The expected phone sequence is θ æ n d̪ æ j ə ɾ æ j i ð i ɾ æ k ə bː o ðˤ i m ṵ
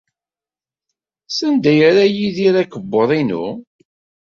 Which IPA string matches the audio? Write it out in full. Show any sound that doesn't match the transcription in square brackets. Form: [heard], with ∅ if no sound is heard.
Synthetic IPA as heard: [s] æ n d̪ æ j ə ɾ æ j i ð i ɾ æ k ə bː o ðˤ i [n] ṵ